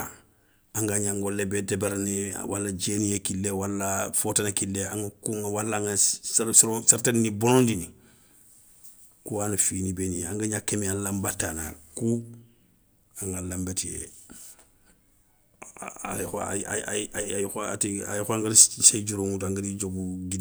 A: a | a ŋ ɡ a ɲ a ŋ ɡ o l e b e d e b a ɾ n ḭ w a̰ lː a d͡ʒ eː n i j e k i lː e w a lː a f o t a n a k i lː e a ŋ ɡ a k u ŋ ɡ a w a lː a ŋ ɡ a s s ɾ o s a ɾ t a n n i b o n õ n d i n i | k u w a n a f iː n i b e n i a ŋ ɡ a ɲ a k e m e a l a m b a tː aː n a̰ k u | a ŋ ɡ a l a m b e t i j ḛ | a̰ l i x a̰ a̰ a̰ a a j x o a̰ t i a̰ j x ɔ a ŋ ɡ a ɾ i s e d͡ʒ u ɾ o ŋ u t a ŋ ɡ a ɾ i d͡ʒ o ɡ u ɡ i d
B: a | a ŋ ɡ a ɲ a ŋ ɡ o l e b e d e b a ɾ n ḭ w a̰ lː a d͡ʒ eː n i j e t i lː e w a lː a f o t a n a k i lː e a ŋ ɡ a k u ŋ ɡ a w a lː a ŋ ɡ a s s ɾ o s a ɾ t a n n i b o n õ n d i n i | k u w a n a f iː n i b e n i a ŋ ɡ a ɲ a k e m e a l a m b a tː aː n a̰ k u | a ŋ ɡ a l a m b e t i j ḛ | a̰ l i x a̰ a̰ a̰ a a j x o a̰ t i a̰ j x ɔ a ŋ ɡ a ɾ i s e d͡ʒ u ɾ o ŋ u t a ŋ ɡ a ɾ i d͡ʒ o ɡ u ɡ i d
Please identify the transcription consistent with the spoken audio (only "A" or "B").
A